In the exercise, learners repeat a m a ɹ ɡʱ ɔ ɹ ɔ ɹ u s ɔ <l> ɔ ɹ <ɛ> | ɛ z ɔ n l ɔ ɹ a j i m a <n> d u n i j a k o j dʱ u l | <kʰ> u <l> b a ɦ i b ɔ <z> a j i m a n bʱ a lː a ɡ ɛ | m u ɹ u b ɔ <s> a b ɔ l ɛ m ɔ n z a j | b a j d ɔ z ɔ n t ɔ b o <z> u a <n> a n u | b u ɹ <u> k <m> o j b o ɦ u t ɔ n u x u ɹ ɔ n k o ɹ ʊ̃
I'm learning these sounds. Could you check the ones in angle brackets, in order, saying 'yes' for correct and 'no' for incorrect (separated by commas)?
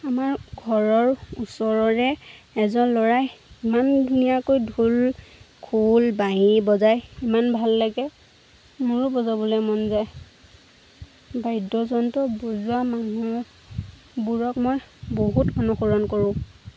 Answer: no, yes, yes, yes, yes, yes, no, yes, no, no, yes